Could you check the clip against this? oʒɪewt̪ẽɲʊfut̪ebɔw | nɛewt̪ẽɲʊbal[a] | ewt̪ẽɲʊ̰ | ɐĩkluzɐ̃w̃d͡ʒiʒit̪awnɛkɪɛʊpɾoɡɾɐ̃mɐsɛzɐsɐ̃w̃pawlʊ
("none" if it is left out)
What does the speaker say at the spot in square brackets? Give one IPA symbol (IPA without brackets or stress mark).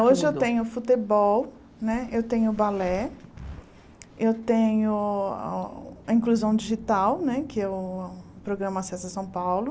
ɛ